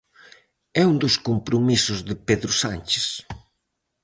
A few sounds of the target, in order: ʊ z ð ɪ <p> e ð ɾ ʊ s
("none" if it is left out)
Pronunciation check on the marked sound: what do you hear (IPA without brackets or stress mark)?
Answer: p